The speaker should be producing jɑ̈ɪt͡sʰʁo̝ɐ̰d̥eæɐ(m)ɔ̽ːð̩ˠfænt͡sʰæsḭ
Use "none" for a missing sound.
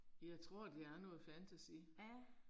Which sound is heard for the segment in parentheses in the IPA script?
n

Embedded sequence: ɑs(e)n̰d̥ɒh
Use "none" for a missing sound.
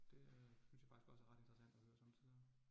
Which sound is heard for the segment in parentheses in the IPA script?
æ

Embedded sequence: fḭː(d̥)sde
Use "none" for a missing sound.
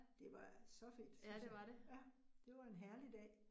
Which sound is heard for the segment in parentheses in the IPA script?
d̥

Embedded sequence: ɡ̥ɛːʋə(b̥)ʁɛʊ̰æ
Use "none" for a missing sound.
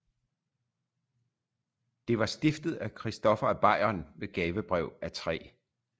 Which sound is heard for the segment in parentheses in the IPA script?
b̥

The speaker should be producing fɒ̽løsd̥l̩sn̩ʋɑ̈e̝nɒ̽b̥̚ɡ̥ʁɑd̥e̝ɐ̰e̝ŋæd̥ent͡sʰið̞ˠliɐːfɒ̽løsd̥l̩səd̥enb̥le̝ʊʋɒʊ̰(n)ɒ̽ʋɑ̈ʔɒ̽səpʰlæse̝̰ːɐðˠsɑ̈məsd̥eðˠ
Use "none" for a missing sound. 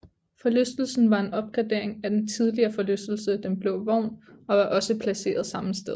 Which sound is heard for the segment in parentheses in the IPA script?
n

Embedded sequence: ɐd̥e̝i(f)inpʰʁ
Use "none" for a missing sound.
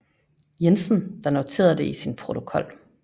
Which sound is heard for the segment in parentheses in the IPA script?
s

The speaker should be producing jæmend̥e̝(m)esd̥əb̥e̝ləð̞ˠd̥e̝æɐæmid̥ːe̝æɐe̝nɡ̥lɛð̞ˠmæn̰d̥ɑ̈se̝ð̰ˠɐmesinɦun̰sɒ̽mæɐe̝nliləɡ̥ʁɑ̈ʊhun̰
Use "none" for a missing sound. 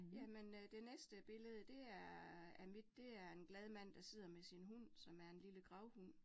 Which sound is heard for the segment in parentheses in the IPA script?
n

